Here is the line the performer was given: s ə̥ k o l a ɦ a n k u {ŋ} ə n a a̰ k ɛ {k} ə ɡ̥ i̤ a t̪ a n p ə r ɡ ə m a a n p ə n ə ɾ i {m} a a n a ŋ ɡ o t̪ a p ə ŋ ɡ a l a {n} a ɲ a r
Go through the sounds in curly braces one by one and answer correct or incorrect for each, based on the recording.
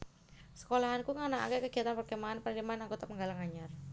correct, correct, correct, incorrect

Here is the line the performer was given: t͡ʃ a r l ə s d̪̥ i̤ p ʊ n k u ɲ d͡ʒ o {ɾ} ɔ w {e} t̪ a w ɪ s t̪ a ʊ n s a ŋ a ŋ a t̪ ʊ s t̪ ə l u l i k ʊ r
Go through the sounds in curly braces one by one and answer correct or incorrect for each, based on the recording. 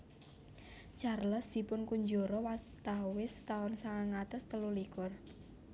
correct, incorrect

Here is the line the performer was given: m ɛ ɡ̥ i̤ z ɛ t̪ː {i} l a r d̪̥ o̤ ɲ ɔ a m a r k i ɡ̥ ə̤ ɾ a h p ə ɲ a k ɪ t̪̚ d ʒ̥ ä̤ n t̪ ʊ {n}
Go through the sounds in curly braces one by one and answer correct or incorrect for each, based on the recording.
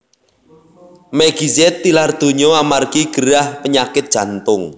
correct, incorrect

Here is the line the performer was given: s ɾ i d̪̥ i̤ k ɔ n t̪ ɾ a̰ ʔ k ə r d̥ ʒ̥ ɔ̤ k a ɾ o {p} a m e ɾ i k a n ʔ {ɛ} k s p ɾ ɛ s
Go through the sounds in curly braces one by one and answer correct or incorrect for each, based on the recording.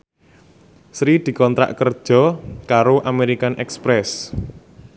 incorrect, correct

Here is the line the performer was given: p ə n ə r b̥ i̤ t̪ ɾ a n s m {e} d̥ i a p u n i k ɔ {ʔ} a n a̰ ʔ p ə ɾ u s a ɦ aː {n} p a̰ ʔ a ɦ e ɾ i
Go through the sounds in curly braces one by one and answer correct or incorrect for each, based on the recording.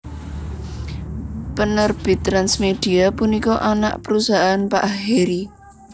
correct, correct, correct

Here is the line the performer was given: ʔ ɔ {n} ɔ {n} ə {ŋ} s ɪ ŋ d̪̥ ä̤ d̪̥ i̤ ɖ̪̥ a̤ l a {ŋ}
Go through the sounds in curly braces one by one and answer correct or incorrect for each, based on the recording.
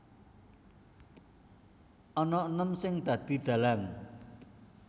correct, correct, incorrect, correct

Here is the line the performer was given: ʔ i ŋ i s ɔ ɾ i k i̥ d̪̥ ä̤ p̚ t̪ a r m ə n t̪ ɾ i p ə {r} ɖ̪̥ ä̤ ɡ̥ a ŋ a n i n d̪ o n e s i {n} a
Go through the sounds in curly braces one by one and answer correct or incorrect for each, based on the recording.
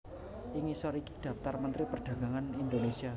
correct, incorrect

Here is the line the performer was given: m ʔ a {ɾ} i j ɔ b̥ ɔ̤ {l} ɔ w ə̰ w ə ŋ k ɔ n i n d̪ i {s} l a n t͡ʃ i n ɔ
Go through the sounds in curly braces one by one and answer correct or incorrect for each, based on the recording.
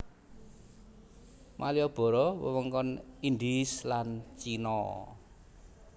incorrect, incorrect, correct

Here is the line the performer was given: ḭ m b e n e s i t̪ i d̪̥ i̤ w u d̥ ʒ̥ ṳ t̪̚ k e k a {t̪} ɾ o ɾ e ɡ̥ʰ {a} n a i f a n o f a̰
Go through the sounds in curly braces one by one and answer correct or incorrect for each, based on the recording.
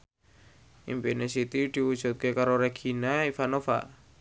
incorrect, incorrect

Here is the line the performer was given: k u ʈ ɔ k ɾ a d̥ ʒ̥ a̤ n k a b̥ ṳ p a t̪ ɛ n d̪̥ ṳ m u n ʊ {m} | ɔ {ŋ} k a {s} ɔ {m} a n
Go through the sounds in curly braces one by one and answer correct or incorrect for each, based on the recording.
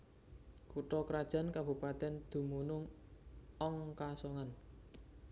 incorrect, correct, correct, incorrect

